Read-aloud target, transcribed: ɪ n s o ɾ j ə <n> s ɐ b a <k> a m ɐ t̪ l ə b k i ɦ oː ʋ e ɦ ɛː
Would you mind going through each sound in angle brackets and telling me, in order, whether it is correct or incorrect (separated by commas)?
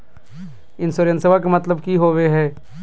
correct, correct